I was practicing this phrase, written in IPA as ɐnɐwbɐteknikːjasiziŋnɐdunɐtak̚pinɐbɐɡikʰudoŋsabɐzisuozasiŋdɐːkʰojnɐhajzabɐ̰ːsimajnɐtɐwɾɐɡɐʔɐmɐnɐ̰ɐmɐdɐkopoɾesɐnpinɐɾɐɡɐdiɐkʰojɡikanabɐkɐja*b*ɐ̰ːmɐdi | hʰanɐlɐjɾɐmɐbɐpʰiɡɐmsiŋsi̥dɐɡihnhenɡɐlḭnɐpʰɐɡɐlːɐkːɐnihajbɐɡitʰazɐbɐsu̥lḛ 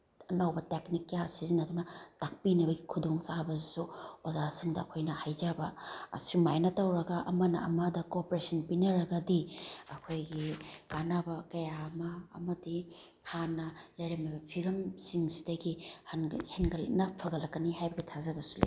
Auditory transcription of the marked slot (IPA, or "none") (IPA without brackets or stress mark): m